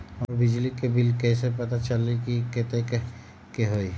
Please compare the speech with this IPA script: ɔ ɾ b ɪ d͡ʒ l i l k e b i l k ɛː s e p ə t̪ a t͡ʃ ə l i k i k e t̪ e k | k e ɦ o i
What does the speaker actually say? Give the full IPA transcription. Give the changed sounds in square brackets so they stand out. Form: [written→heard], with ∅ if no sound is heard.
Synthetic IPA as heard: ɔ ɾ b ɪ d͡ʒ l i [l→∅] k e b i l k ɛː s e p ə t̪ a t͡ʃ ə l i k i k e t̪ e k | k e ɦ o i